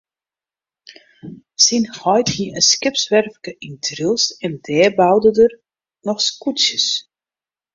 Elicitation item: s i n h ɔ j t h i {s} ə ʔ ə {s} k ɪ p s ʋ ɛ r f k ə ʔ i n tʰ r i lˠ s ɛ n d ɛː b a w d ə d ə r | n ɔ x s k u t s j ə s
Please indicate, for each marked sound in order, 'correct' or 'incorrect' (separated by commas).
incorrect, correct